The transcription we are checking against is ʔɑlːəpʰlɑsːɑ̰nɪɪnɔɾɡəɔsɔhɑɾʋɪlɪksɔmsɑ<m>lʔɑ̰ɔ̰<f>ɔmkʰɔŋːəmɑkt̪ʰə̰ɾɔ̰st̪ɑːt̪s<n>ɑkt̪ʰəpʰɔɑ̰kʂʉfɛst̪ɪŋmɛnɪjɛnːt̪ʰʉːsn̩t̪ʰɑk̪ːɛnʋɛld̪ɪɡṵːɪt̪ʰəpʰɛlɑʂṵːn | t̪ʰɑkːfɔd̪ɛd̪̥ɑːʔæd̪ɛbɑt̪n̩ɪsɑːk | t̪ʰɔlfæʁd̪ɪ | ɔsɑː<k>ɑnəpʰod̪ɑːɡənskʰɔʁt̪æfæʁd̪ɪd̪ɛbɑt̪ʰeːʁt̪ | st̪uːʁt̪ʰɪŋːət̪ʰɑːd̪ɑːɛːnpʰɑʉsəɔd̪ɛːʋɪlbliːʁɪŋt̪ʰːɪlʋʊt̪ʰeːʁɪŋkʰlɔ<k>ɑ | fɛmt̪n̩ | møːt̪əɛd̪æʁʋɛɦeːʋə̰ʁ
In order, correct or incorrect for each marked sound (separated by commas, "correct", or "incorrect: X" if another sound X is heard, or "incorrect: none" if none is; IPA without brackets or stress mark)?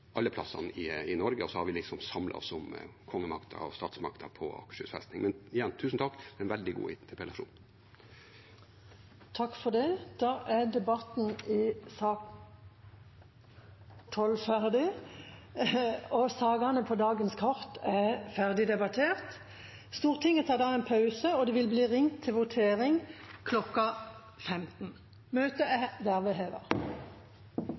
correct, incorrect: s, incorrect: m, incorrect: ɡ, correct